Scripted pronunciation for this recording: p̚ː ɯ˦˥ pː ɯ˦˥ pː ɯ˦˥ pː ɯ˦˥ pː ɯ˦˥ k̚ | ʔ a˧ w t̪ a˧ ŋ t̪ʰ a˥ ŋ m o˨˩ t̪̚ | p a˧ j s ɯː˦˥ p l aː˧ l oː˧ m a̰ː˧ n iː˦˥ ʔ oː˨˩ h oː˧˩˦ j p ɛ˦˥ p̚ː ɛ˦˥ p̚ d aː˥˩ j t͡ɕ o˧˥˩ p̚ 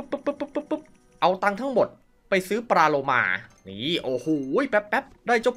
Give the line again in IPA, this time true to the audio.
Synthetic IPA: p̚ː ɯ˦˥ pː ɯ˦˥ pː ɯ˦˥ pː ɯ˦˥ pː ɯ˦˥ p̚ | ʔ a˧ w t̪ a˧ ŋ t̪ʰ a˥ ŋ m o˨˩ t̪̚ | p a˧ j s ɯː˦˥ p ɾ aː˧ l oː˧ m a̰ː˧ n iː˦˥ ʔ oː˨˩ h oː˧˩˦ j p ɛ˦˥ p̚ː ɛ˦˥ p̚ d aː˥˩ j t͡ɕ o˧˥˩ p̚

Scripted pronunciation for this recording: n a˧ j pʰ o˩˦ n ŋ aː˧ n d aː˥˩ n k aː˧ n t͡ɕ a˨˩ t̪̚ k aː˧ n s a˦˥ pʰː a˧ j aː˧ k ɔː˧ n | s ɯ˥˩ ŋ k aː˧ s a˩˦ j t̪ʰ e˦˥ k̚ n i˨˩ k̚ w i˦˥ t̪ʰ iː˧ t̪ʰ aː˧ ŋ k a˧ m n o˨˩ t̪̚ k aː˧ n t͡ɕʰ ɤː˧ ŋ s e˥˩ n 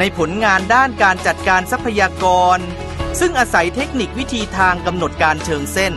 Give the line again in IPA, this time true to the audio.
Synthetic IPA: n a˧ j pʰ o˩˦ n ŋ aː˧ n d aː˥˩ n k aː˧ n t͡ɕ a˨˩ t̪̚ k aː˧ n s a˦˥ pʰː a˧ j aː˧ k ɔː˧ n | s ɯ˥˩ ŋ ʔ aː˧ s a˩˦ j t̪ʰ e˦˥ k̚ n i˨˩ k̚ w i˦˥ t̪ʰ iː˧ t̪ʰ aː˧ ŋ k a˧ m n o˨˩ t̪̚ k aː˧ n t͡ɕʰ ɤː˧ ŋ s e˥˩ n

